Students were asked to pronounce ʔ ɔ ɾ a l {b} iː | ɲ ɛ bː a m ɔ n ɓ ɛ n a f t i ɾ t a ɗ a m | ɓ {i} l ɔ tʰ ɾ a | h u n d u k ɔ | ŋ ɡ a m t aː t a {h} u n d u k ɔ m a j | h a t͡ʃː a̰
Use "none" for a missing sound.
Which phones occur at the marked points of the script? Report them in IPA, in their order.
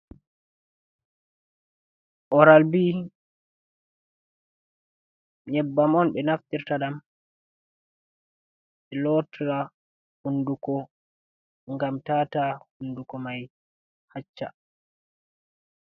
b, ɛ, h

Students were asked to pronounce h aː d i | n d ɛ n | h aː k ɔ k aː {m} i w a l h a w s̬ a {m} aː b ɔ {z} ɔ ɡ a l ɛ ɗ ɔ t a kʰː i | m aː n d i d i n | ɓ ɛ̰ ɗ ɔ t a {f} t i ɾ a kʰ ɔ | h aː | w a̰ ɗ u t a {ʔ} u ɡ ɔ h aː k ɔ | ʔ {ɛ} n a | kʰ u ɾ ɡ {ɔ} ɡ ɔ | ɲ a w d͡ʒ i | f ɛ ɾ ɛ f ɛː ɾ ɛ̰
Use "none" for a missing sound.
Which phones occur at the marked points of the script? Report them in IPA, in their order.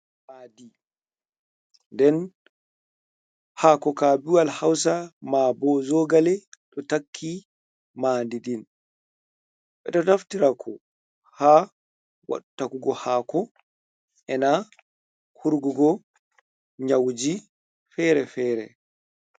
b, m, z, f, k, ɛ, u

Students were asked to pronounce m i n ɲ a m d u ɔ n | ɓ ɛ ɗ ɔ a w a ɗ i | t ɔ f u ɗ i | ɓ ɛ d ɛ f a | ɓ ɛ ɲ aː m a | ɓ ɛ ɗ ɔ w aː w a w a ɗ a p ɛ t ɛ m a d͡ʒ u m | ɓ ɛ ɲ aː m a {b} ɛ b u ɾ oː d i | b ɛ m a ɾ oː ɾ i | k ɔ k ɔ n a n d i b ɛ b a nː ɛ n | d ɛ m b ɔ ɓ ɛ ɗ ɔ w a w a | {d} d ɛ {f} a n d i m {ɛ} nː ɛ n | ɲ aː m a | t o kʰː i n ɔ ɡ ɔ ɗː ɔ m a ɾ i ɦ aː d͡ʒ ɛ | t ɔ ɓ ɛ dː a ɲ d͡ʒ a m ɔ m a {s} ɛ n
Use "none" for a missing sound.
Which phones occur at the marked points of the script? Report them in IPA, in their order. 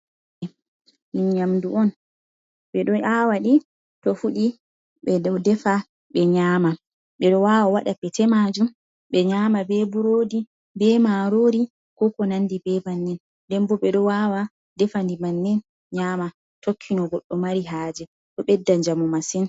b, d, f, a, s

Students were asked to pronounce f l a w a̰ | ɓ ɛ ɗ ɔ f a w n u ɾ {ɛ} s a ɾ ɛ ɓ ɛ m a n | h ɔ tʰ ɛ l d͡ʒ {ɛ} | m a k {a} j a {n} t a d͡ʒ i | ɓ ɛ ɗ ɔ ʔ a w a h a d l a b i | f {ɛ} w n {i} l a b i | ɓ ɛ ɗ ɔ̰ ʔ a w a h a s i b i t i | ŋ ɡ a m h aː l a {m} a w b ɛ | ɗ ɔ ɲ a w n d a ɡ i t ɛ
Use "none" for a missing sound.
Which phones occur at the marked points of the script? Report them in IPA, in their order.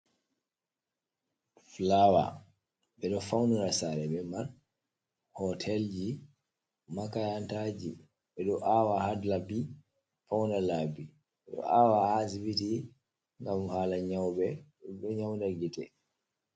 a, i, a, n, a, a, ɲ

